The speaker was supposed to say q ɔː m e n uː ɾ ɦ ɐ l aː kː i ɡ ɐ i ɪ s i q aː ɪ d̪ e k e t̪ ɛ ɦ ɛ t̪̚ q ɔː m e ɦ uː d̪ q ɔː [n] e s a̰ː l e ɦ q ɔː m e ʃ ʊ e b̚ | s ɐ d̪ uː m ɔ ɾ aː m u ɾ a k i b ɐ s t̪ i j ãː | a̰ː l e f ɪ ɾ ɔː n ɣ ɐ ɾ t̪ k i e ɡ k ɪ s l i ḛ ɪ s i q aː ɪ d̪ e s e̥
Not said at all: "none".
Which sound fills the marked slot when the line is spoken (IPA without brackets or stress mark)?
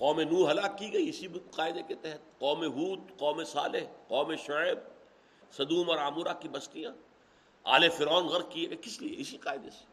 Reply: m